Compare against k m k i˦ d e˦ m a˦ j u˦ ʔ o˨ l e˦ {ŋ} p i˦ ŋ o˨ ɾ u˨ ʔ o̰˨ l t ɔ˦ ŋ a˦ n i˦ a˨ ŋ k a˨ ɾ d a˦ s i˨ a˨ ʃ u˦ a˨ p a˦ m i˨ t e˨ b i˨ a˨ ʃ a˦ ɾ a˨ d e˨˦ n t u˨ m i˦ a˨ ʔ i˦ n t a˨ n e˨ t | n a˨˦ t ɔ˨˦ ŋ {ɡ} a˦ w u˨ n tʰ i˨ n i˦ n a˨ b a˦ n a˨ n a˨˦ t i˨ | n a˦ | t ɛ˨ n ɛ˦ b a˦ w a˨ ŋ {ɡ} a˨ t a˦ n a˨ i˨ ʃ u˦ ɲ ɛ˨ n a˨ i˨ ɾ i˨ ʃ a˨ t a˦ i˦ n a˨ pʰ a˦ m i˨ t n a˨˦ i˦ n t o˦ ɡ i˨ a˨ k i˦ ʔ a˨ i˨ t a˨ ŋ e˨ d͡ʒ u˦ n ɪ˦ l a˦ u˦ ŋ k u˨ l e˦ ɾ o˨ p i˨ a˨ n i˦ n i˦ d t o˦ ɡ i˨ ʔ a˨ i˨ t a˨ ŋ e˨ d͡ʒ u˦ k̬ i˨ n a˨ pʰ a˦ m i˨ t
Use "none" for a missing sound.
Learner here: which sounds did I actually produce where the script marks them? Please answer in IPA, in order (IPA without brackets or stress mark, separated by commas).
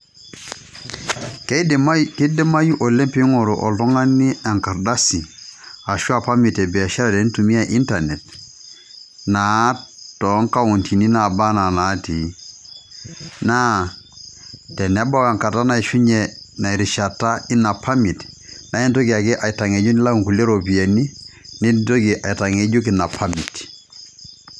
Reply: m, k, k